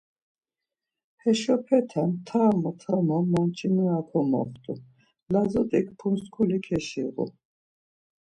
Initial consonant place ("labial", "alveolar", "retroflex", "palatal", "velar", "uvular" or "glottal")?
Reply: glottal